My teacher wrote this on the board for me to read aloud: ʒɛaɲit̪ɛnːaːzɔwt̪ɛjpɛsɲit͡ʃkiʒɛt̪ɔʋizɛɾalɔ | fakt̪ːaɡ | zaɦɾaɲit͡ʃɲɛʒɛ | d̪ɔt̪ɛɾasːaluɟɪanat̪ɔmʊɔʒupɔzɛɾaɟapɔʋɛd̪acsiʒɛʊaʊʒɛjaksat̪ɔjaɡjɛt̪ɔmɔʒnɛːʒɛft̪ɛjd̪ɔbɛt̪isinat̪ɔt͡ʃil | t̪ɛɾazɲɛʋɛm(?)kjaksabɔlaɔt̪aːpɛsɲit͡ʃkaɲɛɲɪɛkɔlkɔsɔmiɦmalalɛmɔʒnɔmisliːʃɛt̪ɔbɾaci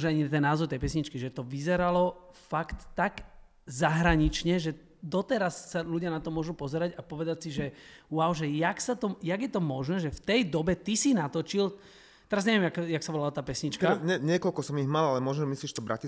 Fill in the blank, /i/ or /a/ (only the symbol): a